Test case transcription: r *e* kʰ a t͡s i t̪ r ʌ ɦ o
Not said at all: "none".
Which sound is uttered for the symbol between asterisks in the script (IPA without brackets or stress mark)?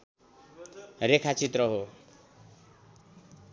e